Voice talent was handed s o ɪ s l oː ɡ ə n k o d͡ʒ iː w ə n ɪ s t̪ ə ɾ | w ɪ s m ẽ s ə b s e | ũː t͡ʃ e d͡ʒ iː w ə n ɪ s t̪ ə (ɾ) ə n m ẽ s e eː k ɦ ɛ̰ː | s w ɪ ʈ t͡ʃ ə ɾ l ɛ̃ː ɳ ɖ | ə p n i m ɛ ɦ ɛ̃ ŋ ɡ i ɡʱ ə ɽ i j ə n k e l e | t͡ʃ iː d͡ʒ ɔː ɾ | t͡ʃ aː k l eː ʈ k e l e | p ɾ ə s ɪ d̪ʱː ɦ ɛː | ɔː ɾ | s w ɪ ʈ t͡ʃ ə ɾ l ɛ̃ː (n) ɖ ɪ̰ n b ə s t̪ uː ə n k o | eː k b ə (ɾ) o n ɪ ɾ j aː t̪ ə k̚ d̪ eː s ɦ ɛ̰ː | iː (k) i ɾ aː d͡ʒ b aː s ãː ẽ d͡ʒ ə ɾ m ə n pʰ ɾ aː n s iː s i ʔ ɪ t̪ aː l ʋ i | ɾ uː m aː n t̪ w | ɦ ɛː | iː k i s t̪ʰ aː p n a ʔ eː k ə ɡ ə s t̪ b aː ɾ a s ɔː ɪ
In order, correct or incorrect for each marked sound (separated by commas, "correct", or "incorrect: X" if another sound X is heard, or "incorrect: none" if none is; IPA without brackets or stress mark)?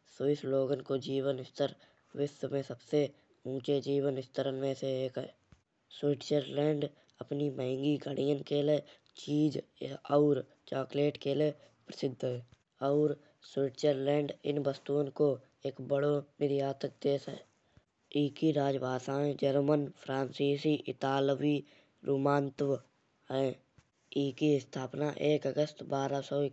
correct, incorrect: ɳ, incorrect: ɽ, correct